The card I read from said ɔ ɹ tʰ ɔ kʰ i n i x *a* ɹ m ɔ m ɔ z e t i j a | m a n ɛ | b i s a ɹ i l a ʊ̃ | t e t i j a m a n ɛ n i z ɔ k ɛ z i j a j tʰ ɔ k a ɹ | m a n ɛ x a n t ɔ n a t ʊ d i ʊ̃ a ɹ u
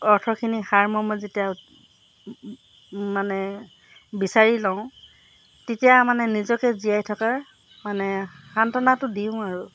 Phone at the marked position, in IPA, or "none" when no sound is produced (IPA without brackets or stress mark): a